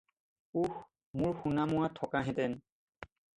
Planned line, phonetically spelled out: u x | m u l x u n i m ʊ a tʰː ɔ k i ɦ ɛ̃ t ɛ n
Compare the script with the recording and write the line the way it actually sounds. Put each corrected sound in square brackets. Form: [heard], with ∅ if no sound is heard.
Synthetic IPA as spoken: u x | m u [ɹ] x u n [a] m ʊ a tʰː ɔ k [a] ɦ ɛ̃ t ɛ n